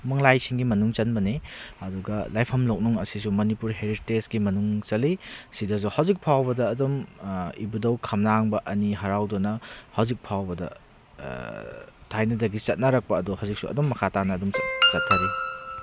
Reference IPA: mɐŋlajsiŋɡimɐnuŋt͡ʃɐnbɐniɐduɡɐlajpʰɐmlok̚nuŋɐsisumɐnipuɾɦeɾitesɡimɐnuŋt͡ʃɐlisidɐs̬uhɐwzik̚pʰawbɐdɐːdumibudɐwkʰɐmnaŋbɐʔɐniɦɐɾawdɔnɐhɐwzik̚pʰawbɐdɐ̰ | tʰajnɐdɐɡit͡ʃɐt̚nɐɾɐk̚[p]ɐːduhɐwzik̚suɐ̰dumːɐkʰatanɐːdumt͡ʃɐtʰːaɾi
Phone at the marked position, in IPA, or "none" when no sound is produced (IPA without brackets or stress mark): p